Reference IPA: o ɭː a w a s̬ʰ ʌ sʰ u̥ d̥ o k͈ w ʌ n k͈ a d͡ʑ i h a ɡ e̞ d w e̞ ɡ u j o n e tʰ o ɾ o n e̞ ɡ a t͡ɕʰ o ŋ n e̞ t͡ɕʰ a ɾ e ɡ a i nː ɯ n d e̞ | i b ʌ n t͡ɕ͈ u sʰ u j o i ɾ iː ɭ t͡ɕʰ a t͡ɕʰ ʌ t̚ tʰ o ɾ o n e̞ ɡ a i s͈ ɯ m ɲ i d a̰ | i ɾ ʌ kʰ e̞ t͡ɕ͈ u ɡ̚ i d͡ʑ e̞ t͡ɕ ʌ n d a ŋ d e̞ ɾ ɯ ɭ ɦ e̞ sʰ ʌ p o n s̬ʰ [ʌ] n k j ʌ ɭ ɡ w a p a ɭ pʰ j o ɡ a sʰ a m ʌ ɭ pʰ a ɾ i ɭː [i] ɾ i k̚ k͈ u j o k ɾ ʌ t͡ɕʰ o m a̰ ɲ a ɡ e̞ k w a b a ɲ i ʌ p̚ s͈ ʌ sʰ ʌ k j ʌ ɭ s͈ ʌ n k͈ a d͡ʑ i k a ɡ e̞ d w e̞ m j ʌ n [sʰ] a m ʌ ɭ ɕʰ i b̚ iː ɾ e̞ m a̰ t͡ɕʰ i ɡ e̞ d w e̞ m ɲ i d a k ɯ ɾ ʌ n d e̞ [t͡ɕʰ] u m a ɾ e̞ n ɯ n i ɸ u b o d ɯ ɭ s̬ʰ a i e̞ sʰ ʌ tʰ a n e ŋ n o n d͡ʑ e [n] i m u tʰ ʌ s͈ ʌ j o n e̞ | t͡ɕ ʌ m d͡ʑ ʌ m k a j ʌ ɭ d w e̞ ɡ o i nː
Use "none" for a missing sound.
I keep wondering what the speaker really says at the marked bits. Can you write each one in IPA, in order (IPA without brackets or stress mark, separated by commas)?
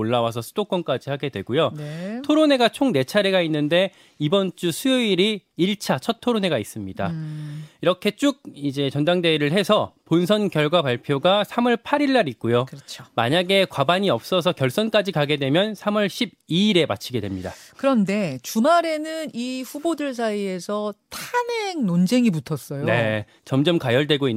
ʌ, a, sʰ, t͡ɕ, ŋ